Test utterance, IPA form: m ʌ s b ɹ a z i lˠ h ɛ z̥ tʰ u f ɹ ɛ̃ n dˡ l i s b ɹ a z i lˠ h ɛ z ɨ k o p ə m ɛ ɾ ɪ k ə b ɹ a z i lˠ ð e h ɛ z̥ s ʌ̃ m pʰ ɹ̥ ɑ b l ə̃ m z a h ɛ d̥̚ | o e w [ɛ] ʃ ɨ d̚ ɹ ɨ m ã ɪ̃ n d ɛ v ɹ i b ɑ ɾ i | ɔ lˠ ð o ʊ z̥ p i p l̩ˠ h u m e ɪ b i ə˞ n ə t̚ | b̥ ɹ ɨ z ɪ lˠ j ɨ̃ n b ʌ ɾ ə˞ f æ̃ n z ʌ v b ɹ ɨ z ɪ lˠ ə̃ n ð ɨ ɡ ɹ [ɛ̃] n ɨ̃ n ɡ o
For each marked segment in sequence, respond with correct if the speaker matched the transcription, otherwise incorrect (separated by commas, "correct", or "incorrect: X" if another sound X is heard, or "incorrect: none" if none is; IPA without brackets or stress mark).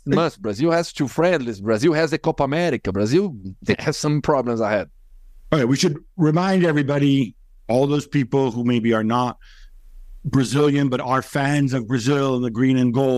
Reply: incorrect: i, incorrect: ĩ